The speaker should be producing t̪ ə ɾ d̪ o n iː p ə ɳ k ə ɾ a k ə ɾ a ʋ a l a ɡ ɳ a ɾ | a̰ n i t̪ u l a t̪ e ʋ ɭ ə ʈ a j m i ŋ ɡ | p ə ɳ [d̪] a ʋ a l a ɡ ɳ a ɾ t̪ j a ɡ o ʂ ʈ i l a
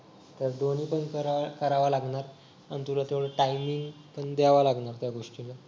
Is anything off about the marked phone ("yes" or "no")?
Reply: no